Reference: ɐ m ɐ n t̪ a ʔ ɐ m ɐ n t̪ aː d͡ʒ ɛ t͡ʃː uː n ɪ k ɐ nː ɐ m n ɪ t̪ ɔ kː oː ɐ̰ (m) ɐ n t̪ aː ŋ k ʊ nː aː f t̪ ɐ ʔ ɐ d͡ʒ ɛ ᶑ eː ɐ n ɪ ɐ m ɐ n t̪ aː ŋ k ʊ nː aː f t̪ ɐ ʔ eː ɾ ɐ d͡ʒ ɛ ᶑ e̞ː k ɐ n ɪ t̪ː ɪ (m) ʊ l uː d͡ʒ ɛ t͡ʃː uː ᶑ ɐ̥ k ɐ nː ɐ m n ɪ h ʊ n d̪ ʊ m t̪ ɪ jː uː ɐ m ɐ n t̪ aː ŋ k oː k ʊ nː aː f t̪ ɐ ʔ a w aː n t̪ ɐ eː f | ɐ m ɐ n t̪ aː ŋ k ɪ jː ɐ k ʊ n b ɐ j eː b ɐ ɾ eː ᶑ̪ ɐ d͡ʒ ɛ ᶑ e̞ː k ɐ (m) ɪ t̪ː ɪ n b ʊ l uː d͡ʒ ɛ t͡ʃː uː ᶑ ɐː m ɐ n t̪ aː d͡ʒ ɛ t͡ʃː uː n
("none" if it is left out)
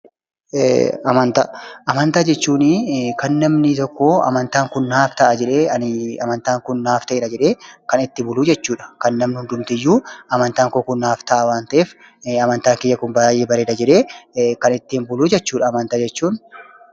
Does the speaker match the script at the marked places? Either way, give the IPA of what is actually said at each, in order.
m, b, n

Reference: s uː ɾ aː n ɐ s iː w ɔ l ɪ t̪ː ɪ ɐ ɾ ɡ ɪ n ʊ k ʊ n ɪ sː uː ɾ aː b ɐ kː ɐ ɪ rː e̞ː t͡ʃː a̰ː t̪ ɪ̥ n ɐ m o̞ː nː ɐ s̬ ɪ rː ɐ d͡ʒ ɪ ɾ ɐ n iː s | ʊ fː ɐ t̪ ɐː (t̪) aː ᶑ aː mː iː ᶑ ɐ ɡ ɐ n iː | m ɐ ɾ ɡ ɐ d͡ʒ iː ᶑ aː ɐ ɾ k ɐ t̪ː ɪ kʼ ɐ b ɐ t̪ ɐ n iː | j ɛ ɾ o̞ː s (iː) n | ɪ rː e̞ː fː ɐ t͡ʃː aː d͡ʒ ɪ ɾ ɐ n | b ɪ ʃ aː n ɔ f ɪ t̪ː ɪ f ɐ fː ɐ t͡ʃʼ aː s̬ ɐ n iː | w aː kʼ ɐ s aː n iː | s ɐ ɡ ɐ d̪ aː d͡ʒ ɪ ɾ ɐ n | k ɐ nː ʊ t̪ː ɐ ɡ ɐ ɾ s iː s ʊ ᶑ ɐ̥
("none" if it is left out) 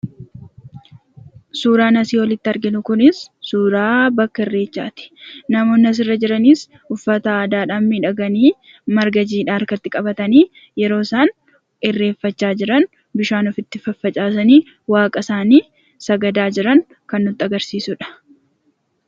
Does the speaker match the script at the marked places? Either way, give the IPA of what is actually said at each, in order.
d̪, aː

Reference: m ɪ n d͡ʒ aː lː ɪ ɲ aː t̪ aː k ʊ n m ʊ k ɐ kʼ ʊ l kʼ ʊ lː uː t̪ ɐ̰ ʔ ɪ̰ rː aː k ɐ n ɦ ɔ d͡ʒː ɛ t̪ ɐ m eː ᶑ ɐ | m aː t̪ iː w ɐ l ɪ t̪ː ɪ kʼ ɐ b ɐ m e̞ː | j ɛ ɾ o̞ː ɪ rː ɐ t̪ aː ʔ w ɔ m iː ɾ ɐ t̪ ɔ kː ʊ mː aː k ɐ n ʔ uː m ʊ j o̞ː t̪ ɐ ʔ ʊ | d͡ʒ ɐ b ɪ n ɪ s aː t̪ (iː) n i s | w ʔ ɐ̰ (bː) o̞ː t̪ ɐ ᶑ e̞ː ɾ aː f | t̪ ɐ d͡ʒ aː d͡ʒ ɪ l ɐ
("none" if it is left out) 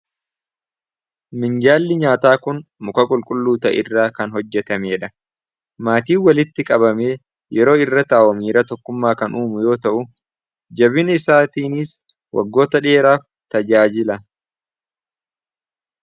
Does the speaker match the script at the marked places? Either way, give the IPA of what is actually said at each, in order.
iː, ɡː

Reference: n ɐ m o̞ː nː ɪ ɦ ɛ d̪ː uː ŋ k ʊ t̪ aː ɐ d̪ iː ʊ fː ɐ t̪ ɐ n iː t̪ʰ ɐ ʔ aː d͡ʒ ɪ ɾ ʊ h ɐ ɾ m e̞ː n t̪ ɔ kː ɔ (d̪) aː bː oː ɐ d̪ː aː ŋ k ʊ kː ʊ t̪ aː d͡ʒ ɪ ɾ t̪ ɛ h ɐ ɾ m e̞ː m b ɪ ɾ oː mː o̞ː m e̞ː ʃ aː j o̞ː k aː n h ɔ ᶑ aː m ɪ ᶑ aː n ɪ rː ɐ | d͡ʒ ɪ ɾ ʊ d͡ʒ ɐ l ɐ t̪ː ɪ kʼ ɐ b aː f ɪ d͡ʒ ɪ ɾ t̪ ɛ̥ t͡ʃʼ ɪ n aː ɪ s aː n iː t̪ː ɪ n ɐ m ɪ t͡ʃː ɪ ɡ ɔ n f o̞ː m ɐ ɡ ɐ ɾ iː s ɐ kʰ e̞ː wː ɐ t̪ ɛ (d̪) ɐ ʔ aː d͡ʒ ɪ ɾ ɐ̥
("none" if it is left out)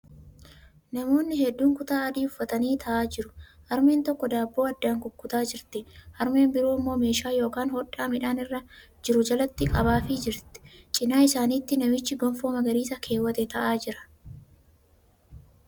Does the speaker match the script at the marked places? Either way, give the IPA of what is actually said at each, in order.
d̪, t̪

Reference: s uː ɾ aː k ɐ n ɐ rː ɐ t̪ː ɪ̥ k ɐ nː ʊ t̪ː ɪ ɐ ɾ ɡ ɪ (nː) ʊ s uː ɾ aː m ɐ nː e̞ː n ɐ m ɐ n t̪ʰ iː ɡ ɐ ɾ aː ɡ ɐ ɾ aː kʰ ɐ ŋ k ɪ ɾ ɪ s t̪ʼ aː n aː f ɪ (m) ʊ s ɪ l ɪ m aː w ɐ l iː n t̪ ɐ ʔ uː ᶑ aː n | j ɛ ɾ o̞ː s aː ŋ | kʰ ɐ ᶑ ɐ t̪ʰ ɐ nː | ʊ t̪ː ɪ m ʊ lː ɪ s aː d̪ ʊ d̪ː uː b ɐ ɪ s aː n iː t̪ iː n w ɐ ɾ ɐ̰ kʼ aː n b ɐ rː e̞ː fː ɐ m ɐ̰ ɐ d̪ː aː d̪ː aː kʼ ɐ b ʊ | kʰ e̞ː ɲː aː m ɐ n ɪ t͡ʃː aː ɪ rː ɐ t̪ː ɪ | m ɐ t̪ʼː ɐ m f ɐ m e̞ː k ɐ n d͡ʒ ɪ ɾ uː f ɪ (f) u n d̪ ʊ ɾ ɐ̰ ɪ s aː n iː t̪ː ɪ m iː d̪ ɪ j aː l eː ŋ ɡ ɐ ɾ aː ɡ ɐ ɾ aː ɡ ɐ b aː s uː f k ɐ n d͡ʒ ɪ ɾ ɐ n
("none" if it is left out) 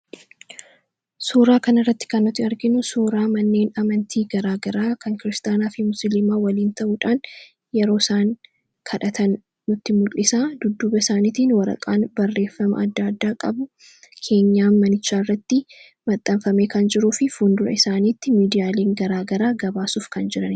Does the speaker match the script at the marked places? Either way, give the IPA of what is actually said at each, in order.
n, m, f

